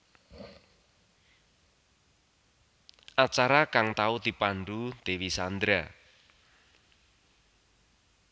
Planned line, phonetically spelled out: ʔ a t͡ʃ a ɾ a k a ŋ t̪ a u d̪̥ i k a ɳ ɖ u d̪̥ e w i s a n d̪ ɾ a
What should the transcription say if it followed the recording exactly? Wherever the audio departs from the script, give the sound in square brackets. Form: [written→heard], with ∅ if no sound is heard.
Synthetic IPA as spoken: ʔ a t͡ʃ a ɾ a k a ŋ t̪ a u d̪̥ i [k→p] a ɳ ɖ u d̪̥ e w i s a n d̪ ɾ a